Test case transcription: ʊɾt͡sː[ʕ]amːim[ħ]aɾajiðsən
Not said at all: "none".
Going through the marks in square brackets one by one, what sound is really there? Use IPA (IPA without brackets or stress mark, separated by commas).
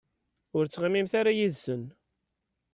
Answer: ʁ, θ